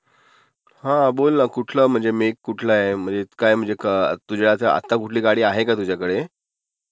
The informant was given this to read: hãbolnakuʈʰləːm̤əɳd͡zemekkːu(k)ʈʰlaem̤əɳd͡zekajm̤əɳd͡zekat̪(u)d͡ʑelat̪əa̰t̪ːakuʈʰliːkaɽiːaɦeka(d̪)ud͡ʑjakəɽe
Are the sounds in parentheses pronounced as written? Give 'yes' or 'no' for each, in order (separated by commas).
no, yes, no